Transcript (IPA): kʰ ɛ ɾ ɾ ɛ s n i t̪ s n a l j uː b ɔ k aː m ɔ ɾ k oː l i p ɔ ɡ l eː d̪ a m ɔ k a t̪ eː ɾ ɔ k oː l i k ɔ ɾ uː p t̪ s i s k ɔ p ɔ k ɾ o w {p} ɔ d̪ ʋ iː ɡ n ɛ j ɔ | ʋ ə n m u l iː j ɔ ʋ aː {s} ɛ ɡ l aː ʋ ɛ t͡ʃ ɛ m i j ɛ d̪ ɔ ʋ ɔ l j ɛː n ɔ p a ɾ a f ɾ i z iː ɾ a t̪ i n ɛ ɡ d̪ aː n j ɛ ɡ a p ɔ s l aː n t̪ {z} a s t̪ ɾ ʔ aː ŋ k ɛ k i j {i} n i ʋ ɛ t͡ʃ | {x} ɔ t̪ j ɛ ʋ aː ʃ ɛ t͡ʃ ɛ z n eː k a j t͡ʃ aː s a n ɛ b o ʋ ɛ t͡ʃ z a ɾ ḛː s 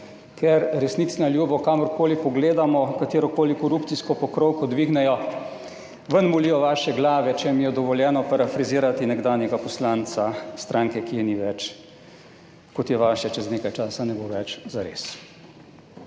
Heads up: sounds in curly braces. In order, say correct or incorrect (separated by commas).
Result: incorrect, incorrect, incorrect, incorrect, incorrect